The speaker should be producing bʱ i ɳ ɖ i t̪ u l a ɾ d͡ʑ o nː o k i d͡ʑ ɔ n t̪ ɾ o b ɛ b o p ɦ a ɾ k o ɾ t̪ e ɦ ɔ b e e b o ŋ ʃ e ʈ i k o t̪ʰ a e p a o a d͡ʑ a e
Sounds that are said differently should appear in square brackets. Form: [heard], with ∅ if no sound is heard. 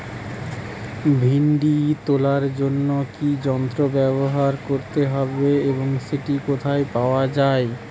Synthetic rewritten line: bʱ i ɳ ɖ i t̪ [o] l a ɾ d͡ʑ o nː o k i d͡ʑ ɔ n t̪ ɾ o b ɛ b o [∅] ɦ a ɾ k o ɾ t̪ e ɦ ɔ b e e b o ŋ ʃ e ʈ i k o t̪ʰ a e p a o a d͡ʑ a e